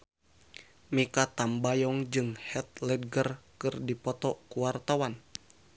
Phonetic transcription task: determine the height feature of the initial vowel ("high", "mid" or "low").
high